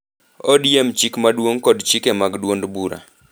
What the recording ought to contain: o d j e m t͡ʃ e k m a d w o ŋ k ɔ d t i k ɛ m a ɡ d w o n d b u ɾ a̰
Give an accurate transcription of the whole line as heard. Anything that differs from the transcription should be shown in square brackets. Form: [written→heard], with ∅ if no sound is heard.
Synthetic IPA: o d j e m t͡ʃ [e→i] k m a d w o ŋ k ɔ d [t→t͡ʃ] i k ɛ m a ɡ d w o n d b u ɾ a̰